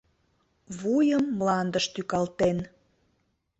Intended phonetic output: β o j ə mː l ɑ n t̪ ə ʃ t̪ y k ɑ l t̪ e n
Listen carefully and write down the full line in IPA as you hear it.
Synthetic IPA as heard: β u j ə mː l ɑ n d̪ ə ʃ t̪ y k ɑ l t̪ e n